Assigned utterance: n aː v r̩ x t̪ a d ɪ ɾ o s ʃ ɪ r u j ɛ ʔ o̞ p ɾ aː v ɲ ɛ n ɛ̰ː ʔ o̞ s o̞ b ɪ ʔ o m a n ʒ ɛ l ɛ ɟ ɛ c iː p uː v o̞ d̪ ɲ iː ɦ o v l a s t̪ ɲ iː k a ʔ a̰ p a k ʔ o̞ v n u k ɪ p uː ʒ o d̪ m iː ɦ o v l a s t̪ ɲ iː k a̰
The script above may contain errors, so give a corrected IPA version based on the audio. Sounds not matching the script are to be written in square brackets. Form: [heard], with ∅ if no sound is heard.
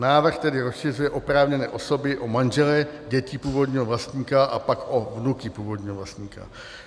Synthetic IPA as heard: n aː v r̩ x t̪ [ɛ] d ɪ ɾ o s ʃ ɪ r u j ɛ ʔ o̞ p ɾ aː v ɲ ɛ n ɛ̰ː ʔ o̞ s o̞ b ɪ ʔ o m a n ʒ ɛ l ɛ ɟ ɛ c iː p uː v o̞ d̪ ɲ iː ɦ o v l a s t̪ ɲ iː k a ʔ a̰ p a k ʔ o̞ v n u k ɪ p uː [v] o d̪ [ɲ] iː ɦ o v l a s t̪ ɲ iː k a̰